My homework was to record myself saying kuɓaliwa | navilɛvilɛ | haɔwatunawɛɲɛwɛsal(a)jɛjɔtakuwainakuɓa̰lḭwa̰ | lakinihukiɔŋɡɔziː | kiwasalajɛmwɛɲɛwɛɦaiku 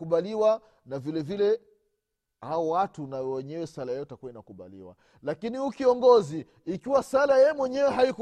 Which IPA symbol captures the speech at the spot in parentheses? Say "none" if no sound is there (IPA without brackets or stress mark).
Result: a